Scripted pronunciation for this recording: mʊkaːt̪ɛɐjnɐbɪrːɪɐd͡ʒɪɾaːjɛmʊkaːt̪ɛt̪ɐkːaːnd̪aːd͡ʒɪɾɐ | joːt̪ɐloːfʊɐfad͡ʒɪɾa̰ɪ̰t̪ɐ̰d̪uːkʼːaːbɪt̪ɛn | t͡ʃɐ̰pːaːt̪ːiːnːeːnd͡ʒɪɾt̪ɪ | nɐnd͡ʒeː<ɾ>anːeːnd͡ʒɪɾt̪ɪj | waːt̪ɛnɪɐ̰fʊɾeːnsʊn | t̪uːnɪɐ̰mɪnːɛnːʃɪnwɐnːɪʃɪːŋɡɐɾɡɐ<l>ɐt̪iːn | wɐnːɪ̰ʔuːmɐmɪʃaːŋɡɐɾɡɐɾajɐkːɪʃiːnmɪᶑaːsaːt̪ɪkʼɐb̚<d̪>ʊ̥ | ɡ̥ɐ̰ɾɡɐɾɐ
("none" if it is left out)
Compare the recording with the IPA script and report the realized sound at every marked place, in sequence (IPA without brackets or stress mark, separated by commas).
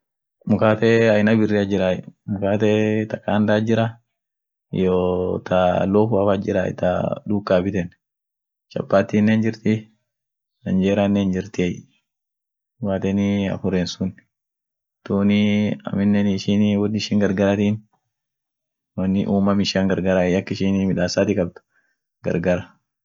ɾ, ɾ, t̪